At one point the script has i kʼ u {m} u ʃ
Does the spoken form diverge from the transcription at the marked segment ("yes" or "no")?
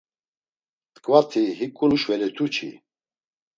yes